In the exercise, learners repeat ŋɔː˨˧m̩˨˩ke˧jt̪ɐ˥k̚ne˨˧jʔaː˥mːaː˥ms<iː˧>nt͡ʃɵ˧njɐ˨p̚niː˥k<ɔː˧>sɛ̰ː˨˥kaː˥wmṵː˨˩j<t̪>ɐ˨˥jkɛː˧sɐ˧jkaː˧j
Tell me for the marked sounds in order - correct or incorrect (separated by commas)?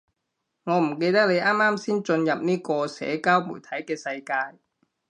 incorrect, correct, incorrect